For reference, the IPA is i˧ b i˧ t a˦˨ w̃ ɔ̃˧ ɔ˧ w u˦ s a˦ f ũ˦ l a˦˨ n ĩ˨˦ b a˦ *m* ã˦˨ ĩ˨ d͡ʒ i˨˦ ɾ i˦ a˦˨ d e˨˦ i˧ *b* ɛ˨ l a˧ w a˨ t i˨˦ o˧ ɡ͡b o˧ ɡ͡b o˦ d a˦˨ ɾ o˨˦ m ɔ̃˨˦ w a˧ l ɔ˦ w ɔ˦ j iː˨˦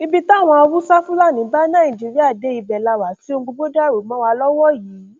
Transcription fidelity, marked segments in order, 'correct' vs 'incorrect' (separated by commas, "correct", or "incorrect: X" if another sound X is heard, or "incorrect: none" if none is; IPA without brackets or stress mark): incorrect: n, correct